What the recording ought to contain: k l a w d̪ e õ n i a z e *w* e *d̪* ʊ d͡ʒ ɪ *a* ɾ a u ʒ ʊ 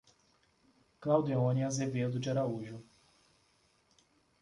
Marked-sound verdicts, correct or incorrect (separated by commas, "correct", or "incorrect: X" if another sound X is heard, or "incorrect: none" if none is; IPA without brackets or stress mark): incorrect: v, correct, correct